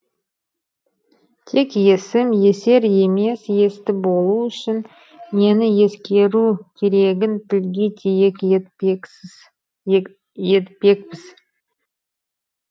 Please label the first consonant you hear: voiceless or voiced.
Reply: voiceless